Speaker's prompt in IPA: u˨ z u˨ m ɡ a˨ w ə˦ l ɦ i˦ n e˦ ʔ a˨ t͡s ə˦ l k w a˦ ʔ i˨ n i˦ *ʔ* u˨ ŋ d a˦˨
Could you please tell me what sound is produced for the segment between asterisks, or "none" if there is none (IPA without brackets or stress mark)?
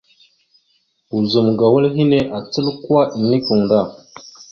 k